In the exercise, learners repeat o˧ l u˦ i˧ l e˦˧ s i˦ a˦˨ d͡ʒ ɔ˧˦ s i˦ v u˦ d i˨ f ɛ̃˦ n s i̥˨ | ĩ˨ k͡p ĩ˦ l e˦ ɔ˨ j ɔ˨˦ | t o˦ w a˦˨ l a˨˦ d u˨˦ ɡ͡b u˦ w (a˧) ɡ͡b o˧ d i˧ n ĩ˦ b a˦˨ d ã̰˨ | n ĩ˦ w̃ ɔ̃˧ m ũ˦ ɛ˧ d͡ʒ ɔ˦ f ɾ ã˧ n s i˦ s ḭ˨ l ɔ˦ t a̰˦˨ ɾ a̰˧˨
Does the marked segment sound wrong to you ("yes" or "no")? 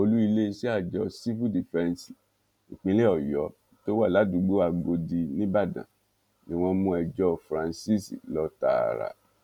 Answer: no